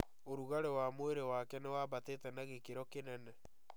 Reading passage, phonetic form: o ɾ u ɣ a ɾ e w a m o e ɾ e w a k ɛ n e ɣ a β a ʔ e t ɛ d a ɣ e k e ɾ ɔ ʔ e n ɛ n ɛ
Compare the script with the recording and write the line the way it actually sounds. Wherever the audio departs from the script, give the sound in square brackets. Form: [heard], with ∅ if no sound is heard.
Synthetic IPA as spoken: o ɾ u ɣ a ɾ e w a m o e ɾ e w a k ɛ n e [w] a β a [t] e t ɛ [n] a ɣ e k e ɾ ɔ [k] e n ɛ n ɛ